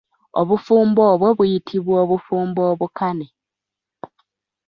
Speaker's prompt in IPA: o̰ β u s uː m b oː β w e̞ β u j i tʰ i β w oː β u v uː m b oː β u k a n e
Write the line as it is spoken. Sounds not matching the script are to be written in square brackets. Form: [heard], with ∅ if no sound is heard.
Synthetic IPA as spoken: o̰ β u [f] uː m b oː β w e̞ β u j i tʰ i β w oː β u [f] uː m b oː β u k a n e